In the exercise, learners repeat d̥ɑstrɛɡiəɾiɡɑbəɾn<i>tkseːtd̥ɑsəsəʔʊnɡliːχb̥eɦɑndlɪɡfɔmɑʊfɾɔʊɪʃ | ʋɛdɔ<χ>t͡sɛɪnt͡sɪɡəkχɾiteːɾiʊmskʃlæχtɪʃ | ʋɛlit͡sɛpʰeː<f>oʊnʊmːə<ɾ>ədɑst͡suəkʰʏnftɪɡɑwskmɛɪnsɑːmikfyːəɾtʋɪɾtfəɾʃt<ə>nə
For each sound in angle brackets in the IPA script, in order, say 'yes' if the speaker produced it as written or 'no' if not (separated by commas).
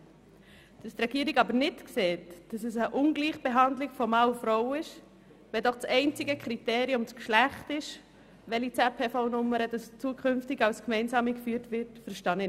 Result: no, yes, yes, yes, no